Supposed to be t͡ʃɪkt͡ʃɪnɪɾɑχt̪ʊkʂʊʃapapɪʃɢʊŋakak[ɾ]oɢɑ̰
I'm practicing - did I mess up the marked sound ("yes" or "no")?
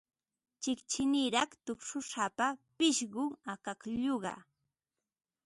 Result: yes